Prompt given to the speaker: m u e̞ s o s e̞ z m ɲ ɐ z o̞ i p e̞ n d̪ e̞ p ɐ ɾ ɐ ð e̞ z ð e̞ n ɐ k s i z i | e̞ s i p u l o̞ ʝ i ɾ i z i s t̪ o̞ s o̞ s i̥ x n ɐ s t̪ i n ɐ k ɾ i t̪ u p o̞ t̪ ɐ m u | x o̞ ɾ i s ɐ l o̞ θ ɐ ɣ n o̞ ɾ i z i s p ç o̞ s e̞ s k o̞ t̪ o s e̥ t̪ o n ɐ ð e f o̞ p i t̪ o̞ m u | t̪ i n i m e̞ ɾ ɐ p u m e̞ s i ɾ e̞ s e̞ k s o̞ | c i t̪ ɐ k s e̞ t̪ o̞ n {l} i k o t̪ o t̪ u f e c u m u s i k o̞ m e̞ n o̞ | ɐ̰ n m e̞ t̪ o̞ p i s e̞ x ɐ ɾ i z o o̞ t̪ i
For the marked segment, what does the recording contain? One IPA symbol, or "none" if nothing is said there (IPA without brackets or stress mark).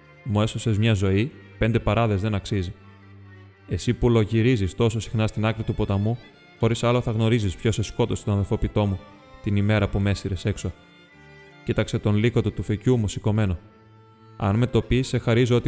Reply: l